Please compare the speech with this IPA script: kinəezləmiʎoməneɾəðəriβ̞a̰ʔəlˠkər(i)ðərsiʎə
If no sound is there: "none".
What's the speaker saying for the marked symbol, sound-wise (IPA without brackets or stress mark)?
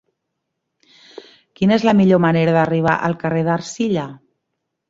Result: e